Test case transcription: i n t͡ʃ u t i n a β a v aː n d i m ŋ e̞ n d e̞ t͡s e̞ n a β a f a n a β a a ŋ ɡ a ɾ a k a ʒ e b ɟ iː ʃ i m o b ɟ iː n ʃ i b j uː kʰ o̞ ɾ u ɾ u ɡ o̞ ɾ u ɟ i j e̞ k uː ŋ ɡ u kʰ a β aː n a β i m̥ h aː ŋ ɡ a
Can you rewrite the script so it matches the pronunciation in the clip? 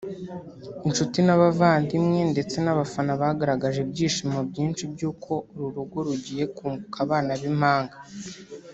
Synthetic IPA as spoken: i n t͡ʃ u t i n a β a v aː n d i m ŋ e̞ n d e̞ t͡s e̞ n a β a f a n a β a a ɡ a ɾ a ɡ a ʒ e b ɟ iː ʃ i m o b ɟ iː n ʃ i b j uː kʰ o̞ ɾ u ɾ u ɡ o̞ ɾ u ɟ i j e̞ k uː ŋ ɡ u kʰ a β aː n a β i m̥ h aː ŋ ɡ a